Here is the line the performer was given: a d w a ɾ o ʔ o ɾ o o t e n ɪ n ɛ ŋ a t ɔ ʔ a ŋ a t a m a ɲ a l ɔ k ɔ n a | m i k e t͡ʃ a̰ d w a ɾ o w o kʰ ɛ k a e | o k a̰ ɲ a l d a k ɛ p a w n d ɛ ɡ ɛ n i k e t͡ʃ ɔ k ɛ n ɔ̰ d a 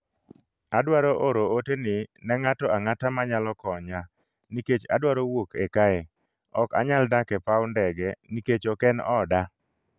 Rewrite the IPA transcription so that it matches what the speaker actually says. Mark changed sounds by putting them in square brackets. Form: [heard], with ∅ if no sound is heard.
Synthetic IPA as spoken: a d w a ɾ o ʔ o ɾ o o t e n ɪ n ɛ ŋ a t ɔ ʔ a ŋ a t a m a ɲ a l ɔ k ɔ [ɲ] a | [n] i k e t͡ʃ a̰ d w a ɾ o w o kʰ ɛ k a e | [ɔ] k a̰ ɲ a l d a k ɛ p a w n d ɛ ɡ ɛ n i k e t͡ʃ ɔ k ɛ n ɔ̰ d a